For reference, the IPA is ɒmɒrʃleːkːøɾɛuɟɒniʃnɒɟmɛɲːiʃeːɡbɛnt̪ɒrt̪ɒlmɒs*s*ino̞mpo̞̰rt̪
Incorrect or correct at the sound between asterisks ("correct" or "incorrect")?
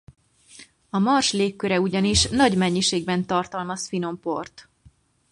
incorrect